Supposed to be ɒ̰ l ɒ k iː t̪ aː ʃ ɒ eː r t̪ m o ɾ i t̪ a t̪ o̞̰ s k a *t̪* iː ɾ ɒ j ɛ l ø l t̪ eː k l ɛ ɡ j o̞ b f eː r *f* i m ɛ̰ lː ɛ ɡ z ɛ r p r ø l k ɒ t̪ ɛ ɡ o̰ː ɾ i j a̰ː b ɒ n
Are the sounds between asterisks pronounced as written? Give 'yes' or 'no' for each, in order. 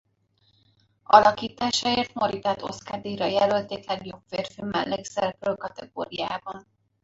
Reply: no, yes

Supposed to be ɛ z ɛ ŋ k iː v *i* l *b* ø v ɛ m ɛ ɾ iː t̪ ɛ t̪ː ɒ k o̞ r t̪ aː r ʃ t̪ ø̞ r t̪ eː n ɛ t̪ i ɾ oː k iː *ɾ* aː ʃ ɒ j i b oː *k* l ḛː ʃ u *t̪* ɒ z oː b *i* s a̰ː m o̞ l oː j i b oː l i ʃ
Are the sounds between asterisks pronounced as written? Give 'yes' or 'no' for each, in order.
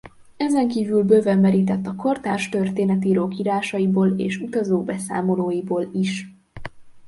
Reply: no, yes, yes, no, yes, no

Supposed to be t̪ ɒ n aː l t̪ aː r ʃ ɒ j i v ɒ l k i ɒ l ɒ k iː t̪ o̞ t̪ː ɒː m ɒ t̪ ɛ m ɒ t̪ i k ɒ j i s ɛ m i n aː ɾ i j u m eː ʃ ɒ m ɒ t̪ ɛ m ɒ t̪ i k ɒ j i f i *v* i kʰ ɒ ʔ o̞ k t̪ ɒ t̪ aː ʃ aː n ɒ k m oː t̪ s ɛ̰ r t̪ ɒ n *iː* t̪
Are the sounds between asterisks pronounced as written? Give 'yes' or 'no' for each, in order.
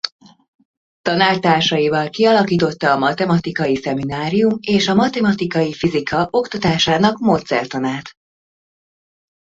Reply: no, no

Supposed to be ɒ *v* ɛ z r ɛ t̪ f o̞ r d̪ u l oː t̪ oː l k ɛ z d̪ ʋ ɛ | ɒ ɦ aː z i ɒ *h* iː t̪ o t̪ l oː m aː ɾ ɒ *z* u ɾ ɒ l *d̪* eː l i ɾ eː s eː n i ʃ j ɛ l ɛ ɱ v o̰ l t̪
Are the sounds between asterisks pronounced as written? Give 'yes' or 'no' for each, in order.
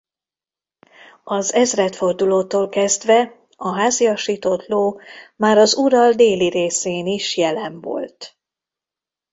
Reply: no, no, yes, yes

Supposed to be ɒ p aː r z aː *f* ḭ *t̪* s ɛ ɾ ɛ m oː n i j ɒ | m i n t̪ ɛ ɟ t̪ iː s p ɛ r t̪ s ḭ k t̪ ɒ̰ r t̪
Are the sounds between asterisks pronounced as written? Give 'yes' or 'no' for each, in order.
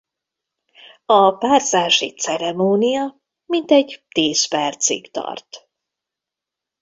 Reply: no, yes

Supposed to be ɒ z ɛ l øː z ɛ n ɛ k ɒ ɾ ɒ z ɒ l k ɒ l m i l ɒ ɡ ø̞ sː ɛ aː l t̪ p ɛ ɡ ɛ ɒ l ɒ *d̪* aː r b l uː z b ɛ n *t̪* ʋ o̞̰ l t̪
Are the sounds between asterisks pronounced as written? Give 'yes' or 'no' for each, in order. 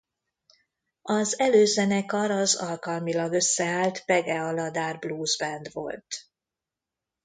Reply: yes, no

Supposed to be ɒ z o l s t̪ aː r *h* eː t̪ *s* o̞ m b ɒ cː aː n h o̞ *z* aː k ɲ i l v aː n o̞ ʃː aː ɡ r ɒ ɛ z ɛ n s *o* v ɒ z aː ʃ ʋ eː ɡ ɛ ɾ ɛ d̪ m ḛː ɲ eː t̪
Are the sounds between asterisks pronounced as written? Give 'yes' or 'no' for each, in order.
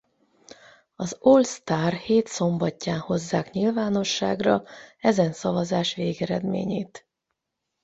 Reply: yes, yes, no, no

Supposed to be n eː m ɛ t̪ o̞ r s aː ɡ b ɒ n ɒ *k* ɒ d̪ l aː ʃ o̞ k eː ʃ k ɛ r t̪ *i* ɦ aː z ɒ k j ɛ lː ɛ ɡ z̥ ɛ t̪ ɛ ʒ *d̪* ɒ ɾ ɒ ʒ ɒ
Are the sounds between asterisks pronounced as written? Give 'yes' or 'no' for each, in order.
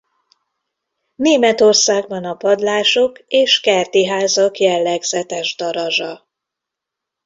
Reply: no, yes, yes

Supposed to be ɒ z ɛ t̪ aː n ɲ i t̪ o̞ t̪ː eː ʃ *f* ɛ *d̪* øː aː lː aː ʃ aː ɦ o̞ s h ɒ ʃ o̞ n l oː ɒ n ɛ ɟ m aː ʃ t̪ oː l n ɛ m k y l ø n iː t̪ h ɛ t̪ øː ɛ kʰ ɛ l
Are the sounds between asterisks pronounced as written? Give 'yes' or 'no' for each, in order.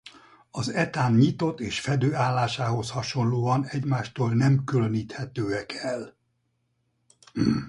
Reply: yes, yes

